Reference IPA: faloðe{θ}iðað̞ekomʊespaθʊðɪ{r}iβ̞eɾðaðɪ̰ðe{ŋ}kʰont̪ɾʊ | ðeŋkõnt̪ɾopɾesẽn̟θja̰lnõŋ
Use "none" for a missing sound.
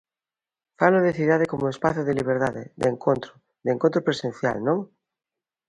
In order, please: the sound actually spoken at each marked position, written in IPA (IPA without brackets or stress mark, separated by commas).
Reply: θ, l, ŋ